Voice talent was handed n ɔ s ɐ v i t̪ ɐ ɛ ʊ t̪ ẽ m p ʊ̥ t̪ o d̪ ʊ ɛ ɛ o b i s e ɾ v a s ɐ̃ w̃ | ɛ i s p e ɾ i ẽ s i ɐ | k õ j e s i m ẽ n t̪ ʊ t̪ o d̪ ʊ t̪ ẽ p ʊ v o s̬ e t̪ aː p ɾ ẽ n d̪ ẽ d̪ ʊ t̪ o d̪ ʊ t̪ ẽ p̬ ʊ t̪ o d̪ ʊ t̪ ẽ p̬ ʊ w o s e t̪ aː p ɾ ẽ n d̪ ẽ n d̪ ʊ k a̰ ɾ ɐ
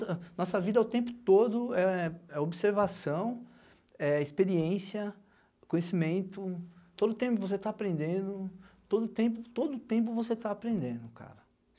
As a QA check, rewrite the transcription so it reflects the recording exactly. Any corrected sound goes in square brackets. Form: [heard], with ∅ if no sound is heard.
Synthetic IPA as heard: n ɔ s ɐ v i [d̪] ɐ ɛ ʊ t̪ ẽ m p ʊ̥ t̪ o d̪ ʊ ɛ ɛ o b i s e ɾ v a s ɐ̃ w̃ | ɛ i s p e ɾ i ẽ s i ɐ | k õ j e s i m ẽ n t̪ ʊ t̪ o d̪ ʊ t̪ ẽ p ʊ v o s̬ e t̪ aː p ɾ ẽ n d̪ ẽ d̪ ʊ t̪ o d̪ ʊ t̪ ẽ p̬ ʊ t̪ o d̪ ʊ t̪ ẽ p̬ ʊ [v] o s e t̪ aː p ɾ ẽ n d̪ ẽ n d̪ ʊ k a̰ ɾ ɐ

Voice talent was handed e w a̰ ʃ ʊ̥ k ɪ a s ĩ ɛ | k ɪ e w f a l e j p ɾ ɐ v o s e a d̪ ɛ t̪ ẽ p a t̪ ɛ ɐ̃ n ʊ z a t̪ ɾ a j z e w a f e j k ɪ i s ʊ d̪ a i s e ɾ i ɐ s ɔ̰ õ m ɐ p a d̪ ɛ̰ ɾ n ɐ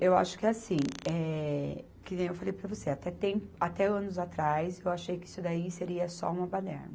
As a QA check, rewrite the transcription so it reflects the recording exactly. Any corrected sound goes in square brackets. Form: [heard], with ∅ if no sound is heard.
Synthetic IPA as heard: e w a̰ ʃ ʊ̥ k ɪ a s ĩ ɛ | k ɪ e w f a l e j p ɾ ɐ v o s e a [t̪] ɛ t̪ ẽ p a t̪ ɛ ɐ̃ n ʊ z a t̪ ɾ a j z e w a [ʃ] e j k ɪ i s ʊ d̪ a i s e ɾ i ɐ s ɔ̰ [ũ] m ɐ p a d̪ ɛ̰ ɾ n ɐ

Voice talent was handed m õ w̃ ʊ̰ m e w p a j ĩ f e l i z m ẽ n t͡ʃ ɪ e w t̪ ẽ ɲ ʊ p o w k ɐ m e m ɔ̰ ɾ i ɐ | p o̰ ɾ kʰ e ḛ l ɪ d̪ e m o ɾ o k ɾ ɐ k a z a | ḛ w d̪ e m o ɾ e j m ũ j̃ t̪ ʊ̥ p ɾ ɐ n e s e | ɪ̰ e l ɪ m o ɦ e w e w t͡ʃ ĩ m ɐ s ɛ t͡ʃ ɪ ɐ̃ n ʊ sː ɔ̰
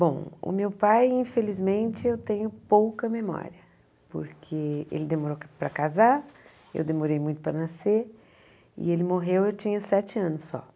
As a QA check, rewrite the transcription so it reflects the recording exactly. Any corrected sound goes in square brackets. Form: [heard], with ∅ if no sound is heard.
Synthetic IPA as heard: [b] õ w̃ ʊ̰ m e w p a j ĩ f e l i z m ẽ n t͡ʃ ɪ e w t̪ ẽ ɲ ʊ p o w k ɐ m e m ɔ̰ ɾ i ɐ | p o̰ ɾ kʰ e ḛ l ɪ d̪ e m o ɾ o [p] ɾ ɐ k a z a | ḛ w d̪ e m o ɾ e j m ũ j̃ t̪ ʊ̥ p ɾ ɐ n [a] s e | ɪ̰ e l ɪ m o ɦ e w e w t͡ʃ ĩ [ɲ] ɐ s ɛ t͡ʃ ɪ ɐ̃ n ʊ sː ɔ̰

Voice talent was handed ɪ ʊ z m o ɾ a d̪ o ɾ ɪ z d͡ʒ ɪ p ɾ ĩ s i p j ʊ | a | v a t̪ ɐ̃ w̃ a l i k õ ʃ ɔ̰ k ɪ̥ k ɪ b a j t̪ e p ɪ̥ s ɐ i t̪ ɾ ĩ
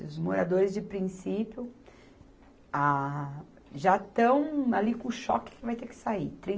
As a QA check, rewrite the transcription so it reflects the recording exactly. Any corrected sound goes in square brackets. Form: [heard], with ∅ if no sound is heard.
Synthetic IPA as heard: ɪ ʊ z m o ɾ a d̪ o ɾ ɪ z d͡ʒ ɪ p ɾ ĩ s i p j ʊ | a | [ʒ] a t̪ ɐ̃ w̃ a l i k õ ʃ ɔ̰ k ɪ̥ k ɪ [v] a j t̪ e [k] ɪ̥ s [a] i t̪ ɾ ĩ

